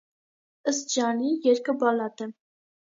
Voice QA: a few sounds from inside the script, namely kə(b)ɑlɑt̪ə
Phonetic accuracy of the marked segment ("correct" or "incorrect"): correct